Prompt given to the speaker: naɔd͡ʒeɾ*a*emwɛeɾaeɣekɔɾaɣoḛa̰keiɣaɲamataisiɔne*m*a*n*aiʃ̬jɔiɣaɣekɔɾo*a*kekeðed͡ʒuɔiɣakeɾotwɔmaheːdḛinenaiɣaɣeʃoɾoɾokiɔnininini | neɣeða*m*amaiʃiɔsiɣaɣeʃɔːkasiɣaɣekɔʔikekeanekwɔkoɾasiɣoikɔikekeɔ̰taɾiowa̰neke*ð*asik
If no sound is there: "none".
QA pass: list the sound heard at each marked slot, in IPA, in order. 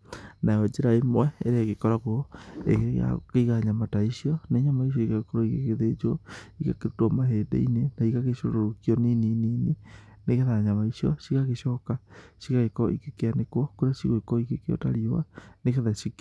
a, ɲ, m, i, ɲ, ð

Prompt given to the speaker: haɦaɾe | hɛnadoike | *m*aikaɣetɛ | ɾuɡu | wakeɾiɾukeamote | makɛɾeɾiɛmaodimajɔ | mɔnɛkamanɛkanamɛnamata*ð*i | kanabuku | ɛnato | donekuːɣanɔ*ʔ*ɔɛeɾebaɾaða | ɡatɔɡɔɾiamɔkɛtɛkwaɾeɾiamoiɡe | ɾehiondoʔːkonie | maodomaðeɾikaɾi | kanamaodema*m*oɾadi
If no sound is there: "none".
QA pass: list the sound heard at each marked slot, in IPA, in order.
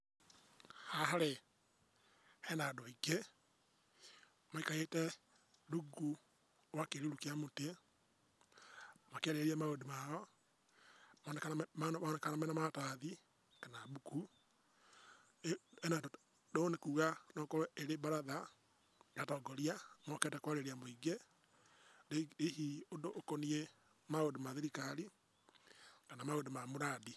m, ð, k, m

